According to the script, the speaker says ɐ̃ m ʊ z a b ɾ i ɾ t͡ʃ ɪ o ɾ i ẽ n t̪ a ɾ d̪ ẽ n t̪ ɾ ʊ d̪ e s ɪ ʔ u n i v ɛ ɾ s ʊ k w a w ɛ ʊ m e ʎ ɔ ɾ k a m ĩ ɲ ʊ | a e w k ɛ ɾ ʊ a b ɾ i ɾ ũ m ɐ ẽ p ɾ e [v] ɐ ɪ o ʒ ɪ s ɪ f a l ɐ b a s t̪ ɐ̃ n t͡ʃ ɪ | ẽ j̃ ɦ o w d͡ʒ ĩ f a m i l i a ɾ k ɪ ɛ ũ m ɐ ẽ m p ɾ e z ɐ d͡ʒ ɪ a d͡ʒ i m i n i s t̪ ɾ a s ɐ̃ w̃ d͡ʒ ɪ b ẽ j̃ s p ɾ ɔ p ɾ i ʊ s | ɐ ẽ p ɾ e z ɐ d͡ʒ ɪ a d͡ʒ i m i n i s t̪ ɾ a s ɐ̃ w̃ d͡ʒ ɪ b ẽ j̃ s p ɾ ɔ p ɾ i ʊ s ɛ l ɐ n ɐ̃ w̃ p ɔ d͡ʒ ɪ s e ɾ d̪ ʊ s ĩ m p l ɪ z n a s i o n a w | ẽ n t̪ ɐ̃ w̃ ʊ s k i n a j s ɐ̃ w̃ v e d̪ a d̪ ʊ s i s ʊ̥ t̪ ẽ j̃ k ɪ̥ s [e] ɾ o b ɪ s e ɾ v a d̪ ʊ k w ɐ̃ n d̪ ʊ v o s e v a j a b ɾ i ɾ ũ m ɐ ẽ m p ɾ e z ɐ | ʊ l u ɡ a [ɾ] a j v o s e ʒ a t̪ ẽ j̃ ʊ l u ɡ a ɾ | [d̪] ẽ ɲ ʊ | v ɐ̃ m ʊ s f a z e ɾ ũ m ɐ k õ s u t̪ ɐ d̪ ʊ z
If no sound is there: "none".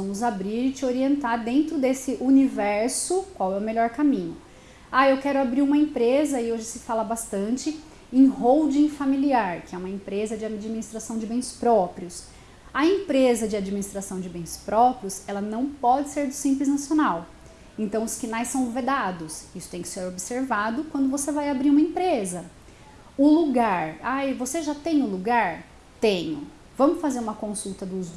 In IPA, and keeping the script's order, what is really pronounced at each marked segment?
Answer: z, e, ɾ, t̪

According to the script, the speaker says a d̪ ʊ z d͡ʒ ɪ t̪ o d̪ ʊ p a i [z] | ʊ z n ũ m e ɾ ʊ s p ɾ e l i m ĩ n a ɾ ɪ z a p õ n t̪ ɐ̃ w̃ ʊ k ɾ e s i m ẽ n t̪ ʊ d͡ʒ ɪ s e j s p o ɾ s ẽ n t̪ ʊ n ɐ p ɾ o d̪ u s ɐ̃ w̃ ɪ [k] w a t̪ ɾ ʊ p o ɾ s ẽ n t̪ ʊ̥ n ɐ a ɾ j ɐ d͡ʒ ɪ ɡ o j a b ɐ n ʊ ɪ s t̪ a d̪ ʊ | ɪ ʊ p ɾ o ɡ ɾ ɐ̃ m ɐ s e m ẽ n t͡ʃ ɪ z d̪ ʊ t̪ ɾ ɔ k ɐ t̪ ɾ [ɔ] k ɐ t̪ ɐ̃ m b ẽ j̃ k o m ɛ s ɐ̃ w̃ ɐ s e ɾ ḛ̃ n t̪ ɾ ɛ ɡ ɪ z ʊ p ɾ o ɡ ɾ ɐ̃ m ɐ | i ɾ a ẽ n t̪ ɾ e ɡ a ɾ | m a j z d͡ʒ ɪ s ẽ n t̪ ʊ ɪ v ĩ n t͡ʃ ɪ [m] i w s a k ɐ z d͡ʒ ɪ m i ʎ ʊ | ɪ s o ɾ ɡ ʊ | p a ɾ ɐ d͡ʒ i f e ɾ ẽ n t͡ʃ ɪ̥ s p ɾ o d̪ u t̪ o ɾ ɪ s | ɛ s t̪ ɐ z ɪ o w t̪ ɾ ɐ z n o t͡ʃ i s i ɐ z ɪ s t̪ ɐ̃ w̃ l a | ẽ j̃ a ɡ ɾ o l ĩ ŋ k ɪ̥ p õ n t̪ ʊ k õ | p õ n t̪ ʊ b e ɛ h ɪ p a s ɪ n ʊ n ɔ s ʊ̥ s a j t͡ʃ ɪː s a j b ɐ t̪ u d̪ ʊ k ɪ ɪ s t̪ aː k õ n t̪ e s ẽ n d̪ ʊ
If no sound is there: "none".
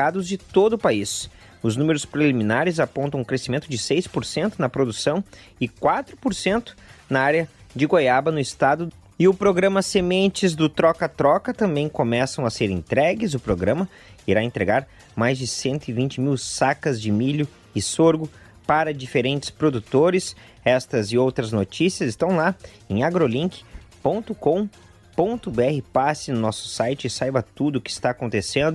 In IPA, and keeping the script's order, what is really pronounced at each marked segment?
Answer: s, k, ɔ, m

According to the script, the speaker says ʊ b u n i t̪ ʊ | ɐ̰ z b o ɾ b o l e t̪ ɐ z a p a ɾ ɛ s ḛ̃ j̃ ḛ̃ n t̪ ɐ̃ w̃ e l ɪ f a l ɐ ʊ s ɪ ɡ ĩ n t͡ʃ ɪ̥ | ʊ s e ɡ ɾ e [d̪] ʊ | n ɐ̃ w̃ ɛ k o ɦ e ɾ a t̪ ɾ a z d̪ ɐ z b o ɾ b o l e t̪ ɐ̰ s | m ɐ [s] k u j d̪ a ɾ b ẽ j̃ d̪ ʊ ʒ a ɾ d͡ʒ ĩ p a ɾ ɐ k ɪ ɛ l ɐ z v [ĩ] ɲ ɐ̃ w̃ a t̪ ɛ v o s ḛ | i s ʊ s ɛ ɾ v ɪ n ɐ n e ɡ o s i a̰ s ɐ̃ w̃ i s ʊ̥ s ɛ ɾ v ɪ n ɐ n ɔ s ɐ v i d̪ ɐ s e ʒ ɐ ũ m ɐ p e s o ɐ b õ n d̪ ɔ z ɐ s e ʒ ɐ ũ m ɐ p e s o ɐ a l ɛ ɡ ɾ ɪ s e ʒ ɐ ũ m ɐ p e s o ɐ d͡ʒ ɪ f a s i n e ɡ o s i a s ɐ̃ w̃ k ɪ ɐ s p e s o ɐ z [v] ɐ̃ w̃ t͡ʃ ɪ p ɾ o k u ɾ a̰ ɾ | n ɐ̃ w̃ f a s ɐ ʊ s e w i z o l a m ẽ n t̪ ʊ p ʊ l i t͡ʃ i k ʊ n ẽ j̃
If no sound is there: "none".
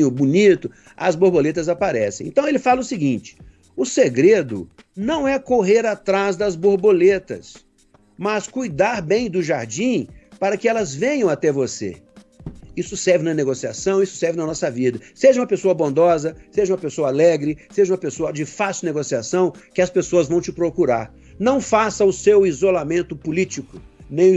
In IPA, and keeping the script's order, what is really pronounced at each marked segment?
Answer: d̪, s, ẽ, v

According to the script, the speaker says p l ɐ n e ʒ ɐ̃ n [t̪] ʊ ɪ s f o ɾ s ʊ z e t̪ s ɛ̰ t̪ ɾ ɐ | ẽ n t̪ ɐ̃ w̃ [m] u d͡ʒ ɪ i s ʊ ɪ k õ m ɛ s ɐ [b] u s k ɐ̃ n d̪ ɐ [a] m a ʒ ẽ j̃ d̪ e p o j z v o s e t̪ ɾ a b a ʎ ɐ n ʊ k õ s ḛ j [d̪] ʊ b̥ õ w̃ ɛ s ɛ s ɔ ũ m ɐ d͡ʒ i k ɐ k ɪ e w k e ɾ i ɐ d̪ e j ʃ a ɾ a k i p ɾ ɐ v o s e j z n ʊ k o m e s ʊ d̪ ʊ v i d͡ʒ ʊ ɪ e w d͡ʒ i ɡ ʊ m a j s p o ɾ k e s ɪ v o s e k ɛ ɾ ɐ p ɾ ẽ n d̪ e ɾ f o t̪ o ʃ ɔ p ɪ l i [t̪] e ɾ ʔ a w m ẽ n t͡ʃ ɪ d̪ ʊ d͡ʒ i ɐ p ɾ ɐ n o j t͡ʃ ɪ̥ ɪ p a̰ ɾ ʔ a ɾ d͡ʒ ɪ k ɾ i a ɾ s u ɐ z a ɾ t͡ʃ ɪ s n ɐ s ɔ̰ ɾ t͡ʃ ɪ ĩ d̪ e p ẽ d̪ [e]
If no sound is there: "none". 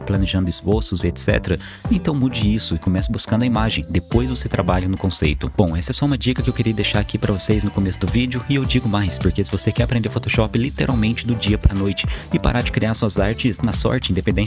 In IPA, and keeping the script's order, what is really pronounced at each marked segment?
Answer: d̪, m, b, i, t̪, t̪, ẽ

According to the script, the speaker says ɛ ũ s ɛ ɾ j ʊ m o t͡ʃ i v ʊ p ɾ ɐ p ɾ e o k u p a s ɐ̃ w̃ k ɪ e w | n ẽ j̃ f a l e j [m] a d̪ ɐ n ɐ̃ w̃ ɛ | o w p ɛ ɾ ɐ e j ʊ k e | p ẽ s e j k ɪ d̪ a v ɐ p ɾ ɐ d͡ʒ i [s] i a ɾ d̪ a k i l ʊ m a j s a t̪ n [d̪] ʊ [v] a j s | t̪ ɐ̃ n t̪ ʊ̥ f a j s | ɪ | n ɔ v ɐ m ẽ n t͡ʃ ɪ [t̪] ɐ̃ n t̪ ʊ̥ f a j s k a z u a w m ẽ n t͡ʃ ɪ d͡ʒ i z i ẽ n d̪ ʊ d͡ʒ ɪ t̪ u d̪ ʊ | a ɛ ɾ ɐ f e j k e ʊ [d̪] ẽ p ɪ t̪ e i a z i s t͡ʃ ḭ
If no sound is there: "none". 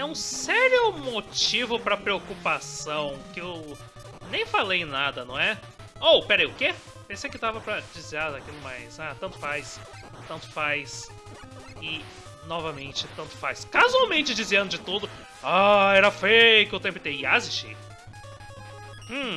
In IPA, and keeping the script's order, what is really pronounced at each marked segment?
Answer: n, z, t̪, f, t̪, t̪

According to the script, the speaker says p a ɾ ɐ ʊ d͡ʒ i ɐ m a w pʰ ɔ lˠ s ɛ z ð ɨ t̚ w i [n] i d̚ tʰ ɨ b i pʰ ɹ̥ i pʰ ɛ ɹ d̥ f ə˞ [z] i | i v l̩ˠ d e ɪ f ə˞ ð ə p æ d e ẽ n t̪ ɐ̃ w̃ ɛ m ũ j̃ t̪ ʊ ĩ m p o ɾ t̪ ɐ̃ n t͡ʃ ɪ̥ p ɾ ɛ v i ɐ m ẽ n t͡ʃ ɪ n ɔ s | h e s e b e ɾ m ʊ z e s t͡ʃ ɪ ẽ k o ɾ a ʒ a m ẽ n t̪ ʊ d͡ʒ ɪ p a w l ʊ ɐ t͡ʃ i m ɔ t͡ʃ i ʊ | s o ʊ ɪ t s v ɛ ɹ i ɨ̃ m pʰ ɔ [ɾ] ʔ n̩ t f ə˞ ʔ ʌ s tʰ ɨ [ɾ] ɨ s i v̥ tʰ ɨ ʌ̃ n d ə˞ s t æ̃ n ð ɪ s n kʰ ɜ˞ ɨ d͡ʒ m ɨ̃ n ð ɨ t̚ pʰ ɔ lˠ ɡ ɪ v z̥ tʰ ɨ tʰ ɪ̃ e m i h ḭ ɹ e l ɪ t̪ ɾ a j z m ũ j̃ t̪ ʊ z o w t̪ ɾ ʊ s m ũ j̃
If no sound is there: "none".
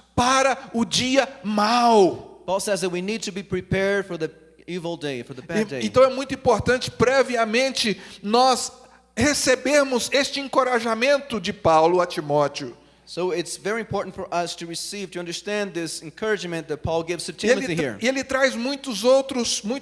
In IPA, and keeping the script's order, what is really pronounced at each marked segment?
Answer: n, ð, ɹ, ɹ

